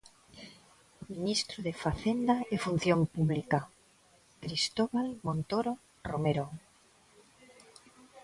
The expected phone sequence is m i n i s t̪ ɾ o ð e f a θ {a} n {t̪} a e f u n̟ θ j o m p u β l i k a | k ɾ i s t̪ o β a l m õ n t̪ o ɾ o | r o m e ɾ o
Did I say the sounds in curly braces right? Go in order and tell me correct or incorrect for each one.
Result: incorrect: e, incorrect: d̪

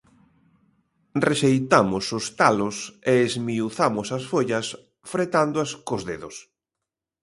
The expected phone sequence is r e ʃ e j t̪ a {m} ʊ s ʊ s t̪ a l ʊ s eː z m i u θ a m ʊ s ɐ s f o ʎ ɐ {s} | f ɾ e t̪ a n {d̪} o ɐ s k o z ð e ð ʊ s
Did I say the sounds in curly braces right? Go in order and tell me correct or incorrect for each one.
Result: correct, correct, correct

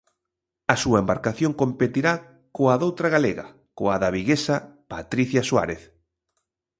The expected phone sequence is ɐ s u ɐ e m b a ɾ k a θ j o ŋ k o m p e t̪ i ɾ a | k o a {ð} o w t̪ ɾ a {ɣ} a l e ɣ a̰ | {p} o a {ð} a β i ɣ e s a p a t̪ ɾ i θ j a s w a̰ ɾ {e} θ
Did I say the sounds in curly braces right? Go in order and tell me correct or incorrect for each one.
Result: correct, correct, incorrect: k, correct, correct

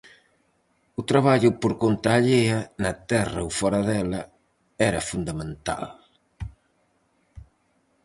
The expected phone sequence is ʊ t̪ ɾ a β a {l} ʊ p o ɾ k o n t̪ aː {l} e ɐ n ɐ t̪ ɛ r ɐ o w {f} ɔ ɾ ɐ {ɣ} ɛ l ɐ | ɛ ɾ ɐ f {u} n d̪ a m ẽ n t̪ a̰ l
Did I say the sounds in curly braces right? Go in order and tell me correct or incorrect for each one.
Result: incorrect: ʎ, incorrect: ʎ, correct, incorrect: ð, correct

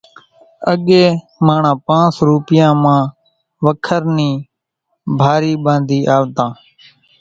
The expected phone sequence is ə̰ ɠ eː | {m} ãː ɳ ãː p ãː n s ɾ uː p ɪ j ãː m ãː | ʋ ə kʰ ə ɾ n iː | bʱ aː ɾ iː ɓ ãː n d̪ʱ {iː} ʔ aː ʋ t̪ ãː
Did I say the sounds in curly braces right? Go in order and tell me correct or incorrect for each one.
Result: correct, correct

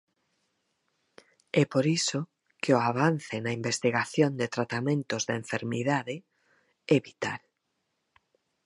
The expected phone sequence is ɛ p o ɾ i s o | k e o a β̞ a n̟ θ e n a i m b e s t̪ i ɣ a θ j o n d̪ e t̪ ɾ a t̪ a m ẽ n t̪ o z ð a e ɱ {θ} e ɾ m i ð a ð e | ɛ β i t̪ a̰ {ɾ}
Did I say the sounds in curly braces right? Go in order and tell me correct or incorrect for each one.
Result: incorrect: f, incorrect: l

